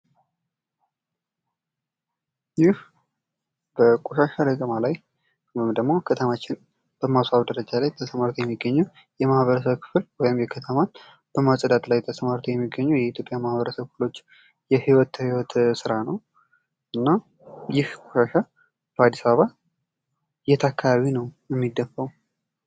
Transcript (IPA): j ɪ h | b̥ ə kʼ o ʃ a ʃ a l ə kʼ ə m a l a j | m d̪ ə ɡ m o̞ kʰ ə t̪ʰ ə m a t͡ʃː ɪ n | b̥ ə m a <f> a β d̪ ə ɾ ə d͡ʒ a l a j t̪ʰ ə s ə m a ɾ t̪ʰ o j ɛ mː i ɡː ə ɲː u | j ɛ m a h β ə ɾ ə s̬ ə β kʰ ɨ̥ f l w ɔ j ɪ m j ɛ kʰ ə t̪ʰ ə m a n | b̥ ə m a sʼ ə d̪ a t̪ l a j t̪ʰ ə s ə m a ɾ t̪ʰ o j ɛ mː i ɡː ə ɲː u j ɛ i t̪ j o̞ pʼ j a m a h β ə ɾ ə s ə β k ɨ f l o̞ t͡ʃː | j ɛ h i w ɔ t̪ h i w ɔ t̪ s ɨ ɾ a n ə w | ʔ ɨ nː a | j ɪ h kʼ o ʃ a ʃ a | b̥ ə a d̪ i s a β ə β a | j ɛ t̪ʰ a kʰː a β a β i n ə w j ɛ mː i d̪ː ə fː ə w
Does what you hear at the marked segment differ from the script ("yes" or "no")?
yes